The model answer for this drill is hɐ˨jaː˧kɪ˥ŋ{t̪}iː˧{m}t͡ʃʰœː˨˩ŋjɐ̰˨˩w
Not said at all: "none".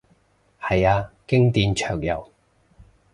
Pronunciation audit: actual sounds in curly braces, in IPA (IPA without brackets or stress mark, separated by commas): t̪, n